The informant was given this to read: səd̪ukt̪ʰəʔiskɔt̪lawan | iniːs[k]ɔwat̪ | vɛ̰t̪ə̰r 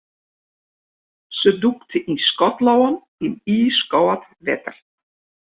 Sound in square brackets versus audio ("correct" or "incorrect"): correct